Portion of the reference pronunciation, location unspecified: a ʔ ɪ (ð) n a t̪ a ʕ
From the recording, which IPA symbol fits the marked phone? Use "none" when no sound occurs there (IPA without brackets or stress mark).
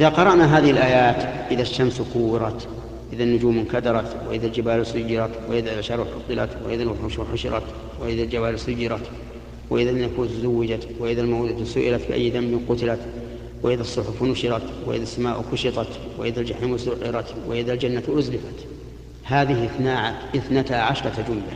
θ